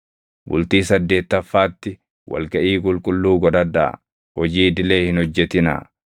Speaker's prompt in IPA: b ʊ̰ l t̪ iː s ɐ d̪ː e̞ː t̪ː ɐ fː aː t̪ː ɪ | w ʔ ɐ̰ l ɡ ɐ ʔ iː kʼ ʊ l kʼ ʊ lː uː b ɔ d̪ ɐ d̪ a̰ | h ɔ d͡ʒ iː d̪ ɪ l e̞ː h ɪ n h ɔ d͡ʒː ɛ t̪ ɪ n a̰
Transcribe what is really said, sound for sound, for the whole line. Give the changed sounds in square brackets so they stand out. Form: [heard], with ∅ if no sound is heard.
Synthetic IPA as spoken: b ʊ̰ l t̪ iː s ɐ d̪ː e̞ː t̪ː ɐ fː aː t̪ː ɪ | w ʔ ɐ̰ l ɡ ɐ ʔ iː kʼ ʊ l kʼ ʊ lː uː [ɡ] ɔ d̪ ɐ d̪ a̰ | h ɔ d͡ʒ iː d̪ ɪ l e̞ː h ɪ n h ɔ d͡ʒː ɛ t̪ ɪ n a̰